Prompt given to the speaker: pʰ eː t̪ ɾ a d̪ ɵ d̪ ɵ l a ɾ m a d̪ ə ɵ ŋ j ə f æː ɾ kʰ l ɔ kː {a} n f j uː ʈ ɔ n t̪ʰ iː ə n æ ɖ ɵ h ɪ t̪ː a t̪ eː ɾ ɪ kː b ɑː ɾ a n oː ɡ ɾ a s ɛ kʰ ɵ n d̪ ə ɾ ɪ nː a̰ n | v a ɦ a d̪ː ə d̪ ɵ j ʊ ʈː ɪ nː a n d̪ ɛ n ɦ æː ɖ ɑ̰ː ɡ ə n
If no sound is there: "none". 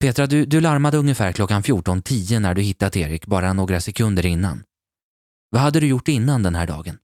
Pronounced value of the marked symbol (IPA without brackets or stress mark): a